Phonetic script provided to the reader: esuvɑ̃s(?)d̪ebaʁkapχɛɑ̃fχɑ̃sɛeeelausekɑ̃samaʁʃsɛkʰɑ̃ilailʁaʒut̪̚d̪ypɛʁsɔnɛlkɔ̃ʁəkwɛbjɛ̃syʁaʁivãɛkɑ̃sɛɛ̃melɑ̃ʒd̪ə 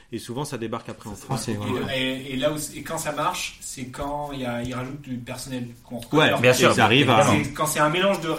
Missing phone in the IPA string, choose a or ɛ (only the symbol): a